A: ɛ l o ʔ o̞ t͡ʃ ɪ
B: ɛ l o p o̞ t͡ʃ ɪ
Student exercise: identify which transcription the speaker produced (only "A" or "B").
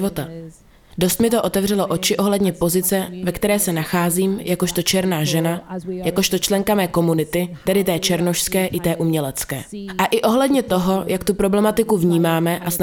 A